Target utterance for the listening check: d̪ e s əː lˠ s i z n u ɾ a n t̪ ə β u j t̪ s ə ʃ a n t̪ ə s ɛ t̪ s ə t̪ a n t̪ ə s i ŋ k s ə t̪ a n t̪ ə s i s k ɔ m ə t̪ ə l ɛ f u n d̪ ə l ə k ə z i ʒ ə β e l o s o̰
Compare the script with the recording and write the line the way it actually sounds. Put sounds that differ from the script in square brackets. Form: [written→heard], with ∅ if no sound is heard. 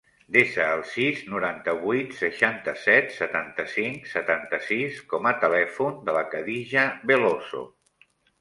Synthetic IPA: d̪ e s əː lˠ s i z n u ɾ a n t̪ ə β u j t̪ s ə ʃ a n t̪ ə s ɛ t̪ s ə t̪ a n t̪ ə s i ŋ k s ə t̪ a n t̪ ə s i s k ɔ m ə t̪ ə l ɛ f u n d̪ ə l ə k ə [z→ð] i ʒ ə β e l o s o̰